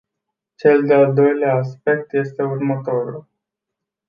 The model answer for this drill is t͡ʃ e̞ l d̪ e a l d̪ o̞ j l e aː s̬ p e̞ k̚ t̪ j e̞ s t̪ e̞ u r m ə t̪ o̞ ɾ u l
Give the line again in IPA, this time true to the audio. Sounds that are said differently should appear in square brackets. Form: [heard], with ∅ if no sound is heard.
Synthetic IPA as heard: t͡ʃ e̞ l d̪ e a l d̪ o̞ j l e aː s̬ p e̞ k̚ t̪ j e̞ s t̪ e̞ u r m ə t̪ o̞ ɾ u l

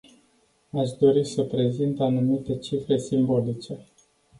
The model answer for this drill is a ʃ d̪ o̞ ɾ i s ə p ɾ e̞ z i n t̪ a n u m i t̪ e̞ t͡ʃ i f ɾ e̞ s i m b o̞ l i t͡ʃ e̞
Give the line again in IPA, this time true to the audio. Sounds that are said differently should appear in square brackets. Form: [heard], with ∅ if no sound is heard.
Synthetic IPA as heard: a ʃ d̪ o̞ ɾ i s ə p ɾ e̞ z i n t̪ a n u m i t̪ e̞ t͡ʃ i f ɾ e̞ s i m b o̞ l i t͡ʃ e̞

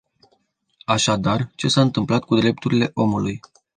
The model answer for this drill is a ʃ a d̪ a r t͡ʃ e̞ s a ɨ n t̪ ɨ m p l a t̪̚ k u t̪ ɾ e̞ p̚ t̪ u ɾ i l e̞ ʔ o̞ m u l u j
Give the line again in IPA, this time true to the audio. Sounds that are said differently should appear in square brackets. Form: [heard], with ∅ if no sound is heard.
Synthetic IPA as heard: a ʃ a d̪ a r t͡ʃ e̞ s a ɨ n t̪ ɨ m p l a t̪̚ k u [d̪] ɾ e̞ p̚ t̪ u ɾ i l e̞ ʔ o̞ m u l u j

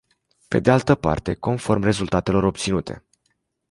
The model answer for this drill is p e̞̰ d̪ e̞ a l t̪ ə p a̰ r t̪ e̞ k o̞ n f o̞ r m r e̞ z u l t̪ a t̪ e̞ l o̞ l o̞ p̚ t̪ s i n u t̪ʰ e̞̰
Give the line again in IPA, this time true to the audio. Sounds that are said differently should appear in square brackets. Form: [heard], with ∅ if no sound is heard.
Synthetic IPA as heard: p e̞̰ d̪ e̞ a l t̪ ə p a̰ r t̪ e̞ k o̞ n f o̞ r m r e̞ z u l t̪ a t̪ e̞ l o̞ [ɾ] o̞ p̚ t̪ s i n u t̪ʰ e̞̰

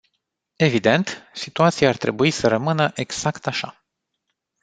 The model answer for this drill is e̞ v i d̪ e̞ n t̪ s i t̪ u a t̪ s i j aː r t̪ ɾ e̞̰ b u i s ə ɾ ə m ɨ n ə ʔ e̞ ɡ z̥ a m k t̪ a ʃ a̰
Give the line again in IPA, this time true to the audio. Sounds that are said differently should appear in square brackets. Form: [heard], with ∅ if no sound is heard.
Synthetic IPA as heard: e̞ v i d̪ e̞ n t̪ s i t̪ u a t̪ s i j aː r t̪ ɾ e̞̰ b u i s ə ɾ ə m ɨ n ə ʔ e̞ ɡ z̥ a [∅] k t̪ a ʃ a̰

